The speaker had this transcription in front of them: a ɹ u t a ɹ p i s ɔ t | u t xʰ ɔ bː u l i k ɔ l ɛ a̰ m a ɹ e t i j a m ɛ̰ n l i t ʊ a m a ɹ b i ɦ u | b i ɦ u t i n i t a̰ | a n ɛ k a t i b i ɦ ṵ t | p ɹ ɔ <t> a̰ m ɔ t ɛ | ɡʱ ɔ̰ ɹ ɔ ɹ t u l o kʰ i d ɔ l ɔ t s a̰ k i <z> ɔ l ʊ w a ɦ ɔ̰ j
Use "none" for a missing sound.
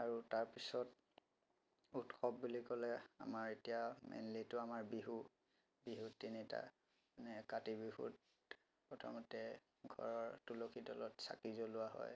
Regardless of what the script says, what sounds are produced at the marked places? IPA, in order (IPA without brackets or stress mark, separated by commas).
tʰ, z